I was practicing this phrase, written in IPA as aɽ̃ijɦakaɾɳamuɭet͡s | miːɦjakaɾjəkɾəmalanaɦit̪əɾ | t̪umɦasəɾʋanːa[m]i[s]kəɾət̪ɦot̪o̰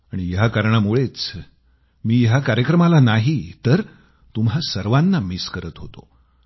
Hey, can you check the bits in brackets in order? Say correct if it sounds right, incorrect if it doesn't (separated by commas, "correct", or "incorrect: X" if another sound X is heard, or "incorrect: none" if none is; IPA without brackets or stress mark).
correct, correct